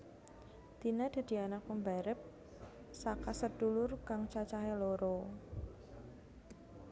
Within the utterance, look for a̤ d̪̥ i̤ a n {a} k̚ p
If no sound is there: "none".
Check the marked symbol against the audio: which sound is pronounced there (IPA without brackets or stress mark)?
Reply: a